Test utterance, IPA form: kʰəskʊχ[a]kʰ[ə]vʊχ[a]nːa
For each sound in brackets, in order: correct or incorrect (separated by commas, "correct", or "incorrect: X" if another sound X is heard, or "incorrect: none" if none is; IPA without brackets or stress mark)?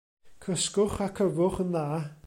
correct, correct, incorrect: ə